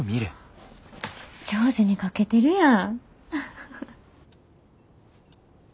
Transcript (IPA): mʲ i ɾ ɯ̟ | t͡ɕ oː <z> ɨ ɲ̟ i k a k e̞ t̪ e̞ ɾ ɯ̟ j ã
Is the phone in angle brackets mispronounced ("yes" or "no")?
no